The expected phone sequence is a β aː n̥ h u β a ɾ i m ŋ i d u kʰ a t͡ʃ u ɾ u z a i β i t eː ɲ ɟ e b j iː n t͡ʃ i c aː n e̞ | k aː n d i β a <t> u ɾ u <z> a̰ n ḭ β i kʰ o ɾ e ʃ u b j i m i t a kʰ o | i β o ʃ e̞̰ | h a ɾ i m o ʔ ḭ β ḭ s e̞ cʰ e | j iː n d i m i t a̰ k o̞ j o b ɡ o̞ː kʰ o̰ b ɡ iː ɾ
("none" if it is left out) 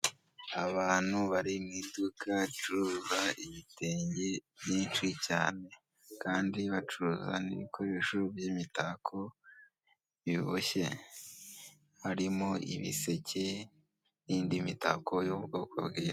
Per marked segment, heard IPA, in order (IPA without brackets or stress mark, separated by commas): t͡ʃ, z